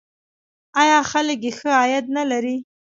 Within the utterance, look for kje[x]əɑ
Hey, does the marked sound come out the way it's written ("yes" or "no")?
yes